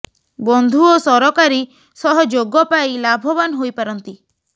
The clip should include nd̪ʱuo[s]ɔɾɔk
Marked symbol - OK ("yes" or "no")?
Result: yes